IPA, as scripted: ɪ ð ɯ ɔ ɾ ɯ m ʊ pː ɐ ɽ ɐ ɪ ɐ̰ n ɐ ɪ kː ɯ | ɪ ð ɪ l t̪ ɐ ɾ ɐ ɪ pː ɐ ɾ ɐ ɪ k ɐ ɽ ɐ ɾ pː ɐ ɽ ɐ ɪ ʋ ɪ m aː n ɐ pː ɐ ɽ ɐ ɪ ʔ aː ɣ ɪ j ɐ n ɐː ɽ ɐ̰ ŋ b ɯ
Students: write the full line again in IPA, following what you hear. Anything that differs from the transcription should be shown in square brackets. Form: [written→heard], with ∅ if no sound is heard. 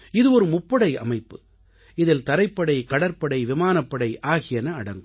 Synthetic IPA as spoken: ɪ ð ɯ ɔ ɾ ɯ m ʊ pː ɐ ɽ ɐ ɪ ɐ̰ [n→m] ɐ ɪ [kː→pː] ɯ | ɪ ð ɪ l t̪ ɐ ɾ ɐ ɪ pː ɐ [ɾ→ɽ] ɐ ɪ k ɐ ɽ ɐ ɾ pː ɐ ɽ ɐ ɪ ʋ ɪ m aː n ɐ pː ɐ ɽ ɐ ɪ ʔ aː ɣ ɪ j ɐ n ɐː ɽ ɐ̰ ŋ [b→ɡ] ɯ